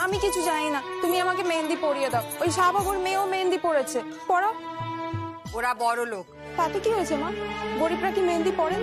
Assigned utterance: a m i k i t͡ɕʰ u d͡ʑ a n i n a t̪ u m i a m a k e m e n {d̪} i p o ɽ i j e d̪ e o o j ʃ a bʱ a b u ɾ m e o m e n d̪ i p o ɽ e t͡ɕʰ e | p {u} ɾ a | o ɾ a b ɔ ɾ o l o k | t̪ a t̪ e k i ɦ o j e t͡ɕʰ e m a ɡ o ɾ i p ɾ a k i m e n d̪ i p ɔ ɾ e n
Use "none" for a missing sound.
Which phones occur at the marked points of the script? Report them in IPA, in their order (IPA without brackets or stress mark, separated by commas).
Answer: d̪, ɔ